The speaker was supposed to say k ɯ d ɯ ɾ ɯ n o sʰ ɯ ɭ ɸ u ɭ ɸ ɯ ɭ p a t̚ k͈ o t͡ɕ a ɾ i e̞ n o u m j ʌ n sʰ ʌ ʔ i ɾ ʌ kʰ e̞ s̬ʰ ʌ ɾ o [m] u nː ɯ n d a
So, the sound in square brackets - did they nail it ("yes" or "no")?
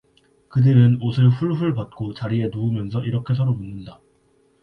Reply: yes